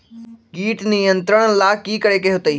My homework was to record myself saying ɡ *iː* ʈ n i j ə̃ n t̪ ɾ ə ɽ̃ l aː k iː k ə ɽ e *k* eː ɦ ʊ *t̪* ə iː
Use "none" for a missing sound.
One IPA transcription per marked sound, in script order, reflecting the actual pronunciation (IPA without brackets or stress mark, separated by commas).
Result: iː, k, t̪